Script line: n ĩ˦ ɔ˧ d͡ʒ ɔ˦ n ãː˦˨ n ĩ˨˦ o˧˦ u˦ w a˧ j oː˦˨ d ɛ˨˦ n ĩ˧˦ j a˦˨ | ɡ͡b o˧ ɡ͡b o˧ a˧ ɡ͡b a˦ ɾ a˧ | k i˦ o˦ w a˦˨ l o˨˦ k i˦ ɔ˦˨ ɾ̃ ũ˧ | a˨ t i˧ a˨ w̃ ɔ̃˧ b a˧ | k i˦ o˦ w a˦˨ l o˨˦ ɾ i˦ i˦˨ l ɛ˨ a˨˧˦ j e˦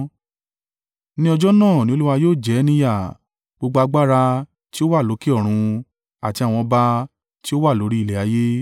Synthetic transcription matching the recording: n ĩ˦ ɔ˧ d͡ʒ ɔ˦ n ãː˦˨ n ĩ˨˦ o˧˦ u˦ w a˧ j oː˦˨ d͡ʒ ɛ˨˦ n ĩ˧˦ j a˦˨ | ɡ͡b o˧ ɡ͡b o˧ a˧ ɡ͡b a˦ ɾ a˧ | t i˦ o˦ w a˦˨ l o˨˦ k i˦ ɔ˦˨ ɾ̃ ũ˧ | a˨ t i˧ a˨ w̃ ɔ̃˧ b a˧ | t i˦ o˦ w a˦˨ l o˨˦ ɾ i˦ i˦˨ l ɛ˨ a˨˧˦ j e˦